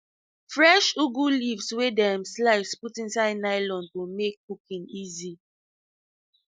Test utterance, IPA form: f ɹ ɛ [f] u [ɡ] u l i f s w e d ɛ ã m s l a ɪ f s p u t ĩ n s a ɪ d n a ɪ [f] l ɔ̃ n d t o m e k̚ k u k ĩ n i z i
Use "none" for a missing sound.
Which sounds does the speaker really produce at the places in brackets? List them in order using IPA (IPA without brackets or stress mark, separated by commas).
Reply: ʃ, ɡ, none